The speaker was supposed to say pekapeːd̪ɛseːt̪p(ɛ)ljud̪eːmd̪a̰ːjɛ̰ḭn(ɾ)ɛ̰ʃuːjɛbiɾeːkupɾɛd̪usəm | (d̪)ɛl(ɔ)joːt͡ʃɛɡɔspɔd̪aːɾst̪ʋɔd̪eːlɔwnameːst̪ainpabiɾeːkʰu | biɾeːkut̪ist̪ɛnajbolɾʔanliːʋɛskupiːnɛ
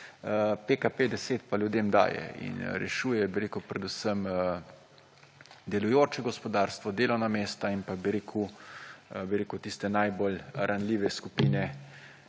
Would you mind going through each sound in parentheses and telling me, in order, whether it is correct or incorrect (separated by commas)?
incorrect, correct, correct, incorrect